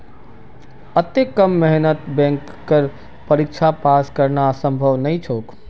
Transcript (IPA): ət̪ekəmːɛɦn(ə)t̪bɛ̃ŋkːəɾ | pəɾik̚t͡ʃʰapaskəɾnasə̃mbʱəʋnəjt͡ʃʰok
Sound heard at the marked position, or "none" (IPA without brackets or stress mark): ə